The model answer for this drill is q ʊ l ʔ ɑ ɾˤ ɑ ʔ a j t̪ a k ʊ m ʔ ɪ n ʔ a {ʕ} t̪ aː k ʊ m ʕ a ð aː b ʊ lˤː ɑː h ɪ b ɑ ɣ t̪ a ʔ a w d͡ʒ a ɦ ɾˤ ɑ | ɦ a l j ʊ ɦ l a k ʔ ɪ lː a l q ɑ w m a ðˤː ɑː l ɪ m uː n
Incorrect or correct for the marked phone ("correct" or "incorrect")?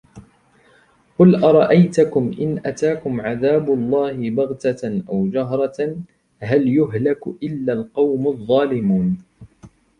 incorrect